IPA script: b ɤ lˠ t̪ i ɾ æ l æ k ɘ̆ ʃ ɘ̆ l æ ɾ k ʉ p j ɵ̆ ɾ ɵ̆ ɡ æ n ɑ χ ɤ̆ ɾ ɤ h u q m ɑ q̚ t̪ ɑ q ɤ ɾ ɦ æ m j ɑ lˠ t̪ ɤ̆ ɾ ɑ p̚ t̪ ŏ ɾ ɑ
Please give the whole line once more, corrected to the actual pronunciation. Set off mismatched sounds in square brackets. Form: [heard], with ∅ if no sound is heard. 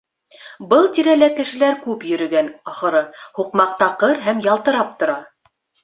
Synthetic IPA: b ɤ lˠ t̪ i ɾ æ l æ k ɘ̆ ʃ ɘ̆ l æ ɾ k ʉ p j ɵ̆ ɾ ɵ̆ ɡ æ n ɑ χ ɤ̆ ɾ ɤ h u q m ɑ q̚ t̪ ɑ q ɤ ɾ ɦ æ m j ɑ lˠ t̪ ɤ̆ ɾ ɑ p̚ t̪ ŏ ɾ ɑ